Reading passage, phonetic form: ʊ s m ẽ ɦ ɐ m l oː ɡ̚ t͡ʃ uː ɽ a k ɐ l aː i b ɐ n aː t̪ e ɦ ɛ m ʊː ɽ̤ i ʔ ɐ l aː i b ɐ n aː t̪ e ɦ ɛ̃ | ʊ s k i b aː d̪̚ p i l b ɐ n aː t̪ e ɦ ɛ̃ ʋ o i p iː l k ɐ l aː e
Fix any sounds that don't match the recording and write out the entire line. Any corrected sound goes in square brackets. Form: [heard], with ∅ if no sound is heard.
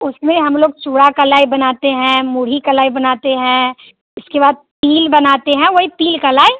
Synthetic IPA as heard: ʊ s m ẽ ɦ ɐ m l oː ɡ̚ t͡ʃ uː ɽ a k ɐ l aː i b ɐ n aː t̪ e ɦ [ɛ̃] m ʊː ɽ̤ i [k] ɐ l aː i b ɐ n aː t̪ e ɦ ɛ̃ | ʊ s k [e] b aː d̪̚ p [iː] l b ɐ n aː t̪ e ɦ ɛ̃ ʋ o i p iː l k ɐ l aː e

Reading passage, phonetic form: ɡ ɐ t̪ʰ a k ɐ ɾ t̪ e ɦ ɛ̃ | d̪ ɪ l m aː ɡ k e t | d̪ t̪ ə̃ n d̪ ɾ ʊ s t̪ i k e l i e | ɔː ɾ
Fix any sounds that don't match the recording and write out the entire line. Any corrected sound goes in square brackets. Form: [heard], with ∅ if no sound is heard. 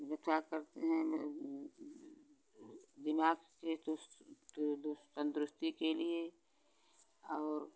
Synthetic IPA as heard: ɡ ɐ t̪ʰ a k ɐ ɾ t̪ e ɦ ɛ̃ | d̪ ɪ [∅] m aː ɡ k e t | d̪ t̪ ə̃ n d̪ ɾ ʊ s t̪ i k e l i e | ɔː ɾ

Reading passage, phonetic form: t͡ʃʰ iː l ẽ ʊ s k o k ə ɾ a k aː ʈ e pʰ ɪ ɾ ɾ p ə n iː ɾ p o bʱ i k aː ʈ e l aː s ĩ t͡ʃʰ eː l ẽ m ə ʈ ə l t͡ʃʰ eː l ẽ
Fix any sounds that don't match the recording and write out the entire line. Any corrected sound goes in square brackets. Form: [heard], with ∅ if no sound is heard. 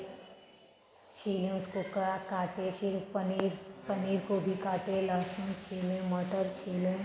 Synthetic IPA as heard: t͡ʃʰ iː l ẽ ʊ s k o k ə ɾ a k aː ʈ e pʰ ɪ ɾ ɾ p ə n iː ɾ [k] o bʱ i k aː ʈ e l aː s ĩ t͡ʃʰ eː l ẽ m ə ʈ ə [ɾ] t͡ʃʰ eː l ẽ

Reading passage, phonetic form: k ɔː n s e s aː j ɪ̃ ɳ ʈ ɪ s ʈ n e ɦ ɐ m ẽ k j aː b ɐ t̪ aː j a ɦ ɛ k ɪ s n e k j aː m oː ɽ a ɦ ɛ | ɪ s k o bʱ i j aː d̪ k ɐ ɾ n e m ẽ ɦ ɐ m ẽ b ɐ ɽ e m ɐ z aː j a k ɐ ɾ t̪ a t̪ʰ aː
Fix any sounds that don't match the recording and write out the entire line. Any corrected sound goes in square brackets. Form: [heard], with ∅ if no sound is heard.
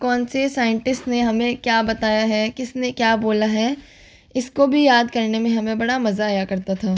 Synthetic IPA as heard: k ɔː n s e s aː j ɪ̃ ɳ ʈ ɪ s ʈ n e ɦ ɐ m ẽ k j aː b ɐ t̪ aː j a ɦ ɛ k ɪ s n e k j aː [b] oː [l] a ɦ ɛ | ɪ s k o bʱ i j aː d̪ k ɐ ɾ n e m ẽ ɦ ɐ m ẽ b ɐ ɽ [a] m ɐ z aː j a k ɐ ɾ t̪ a t̪ʰ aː

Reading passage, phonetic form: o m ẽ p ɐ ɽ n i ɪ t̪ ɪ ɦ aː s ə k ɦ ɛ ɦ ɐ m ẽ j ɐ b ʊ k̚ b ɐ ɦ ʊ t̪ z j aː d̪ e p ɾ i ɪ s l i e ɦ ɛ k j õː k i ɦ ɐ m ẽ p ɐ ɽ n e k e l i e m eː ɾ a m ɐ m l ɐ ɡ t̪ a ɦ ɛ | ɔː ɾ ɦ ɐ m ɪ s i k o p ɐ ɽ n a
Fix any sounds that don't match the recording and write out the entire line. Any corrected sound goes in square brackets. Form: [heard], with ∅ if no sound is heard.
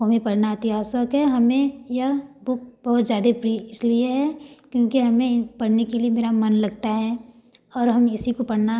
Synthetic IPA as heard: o m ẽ p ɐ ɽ n [a] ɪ t̪ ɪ ɦ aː s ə k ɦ ɛ ɦ ɐ m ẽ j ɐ b ʊ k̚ b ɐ ɦ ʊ t̪ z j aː d̪ e p ɾ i ɪ s l i e ɦ ɛ k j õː k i ɦ ɐ m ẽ p ɐ ɽ n e k e l i e m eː ɾ a m ɐ [n] l ɐ ɡ t̪ a ɦ ɛ | ɔː ɾ ɦ ɐ m ɪ s i k o p ɐ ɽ n a

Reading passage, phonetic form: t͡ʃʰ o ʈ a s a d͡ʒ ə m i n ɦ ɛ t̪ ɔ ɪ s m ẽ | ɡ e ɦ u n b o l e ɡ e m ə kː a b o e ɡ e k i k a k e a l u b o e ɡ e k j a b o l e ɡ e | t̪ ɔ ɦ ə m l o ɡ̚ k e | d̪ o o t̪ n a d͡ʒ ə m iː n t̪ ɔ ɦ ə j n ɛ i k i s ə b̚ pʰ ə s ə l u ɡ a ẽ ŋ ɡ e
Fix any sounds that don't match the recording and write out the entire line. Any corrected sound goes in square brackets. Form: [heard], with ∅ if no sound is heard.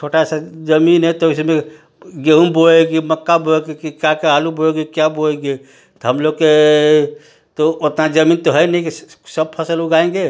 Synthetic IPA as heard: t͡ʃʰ o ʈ a s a d͡ʒ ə m i n ɦ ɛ t̪ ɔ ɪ s m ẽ | ɡ e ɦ u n b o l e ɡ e m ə kː a b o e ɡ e k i k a k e a l u b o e ɡ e k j a b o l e ɡ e | t̪ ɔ ɦ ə m l o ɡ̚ k e | [t̪] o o t̪ n a d͡ʒ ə m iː n t̪ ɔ ɦ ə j n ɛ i k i s ə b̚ pʰ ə s ə l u ɡ a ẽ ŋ ɡ e

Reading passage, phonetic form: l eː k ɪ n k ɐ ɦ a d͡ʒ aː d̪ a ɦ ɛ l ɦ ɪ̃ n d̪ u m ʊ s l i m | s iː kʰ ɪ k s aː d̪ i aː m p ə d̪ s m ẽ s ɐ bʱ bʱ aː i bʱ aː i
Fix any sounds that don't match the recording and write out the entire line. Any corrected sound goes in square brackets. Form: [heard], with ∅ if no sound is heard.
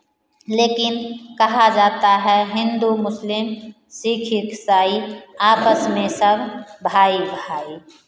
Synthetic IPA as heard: l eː k ɪ n k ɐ ɦ a d͡ʒ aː [t̪] a ɦ ɛ [∅] ɦ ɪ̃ n d̪ u m ʊ s l [ɪ] m | s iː kʰ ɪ k s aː [∅] i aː [∅] p ə [∅] s m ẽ s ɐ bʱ bʱ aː i bʱ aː i

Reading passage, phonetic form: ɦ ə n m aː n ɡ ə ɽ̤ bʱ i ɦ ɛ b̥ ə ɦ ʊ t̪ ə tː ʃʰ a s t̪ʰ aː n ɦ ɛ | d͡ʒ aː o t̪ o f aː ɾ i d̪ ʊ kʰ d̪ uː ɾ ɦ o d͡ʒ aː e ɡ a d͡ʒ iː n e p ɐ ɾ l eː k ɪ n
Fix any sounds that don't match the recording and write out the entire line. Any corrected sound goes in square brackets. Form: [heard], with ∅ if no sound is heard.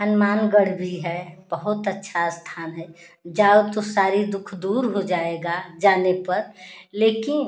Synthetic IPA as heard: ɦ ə n m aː n ɡ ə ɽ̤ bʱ i ɦ ɛ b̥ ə ɦ ʊ t̪ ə tː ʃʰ a s t̪ʰ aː n ɦ ɛ | d͡ʒ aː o t̪ o [s] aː ɾ i d̪ ʊ kʰ d̪ uː ɾ ɦ o d͡ʒ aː e ɡ a d͡ʒ [aː] n e p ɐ ɾ l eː k ɪ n

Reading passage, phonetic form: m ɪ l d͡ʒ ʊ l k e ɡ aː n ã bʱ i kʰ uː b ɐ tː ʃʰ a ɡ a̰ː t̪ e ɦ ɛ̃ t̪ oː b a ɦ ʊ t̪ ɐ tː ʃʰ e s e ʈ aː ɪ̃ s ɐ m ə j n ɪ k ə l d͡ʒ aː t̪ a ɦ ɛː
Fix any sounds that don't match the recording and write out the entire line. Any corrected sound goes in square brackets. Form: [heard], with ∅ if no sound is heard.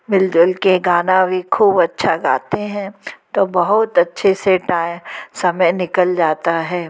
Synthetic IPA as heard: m ɪ l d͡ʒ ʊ l k e ɡ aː n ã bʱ i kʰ uː b ɐ tː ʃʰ a ɡ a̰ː t̪ e ɦ ɛ̃ t̪ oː b [ɐ] ɦ ʊ t̪ ɐ tː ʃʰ e s e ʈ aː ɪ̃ s ɐ m ə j n ɪ k ə l d͡ʒ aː t̪ a ɦ ɛː

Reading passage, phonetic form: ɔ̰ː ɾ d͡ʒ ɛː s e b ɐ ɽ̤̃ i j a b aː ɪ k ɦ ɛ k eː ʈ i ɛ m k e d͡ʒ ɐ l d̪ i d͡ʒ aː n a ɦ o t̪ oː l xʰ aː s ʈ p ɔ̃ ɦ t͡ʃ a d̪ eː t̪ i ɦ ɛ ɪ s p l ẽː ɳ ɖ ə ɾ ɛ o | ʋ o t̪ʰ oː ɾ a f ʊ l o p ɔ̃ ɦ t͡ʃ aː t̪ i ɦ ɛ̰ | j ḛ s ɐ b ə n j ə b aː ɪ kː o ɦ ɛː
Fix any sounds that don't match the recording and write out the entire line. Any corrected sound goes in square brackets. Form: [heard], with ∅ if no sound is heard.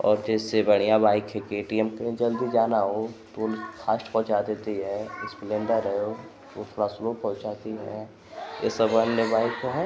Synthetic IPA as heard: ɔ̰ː ɾ d͡ʒ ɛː s e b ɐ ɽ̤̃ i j a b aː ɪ k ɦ ɛ k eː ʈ i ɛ m k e d͡ʒ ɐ l d̪ i d͡ʒ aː n a ɦ o t̪ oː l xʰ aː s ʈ p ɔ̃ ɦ t͡ʃ a d̪ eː t̪ i ɦ ɛ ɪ s p l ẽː ɳ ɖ ə ɾ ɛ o | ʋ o t̪ʰ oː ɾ a [s] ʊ l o p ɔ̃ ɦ t͡ʃ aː t̪ i ɦ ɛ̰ | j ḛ s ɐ b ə n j ə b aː ɪ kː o ɦ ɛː

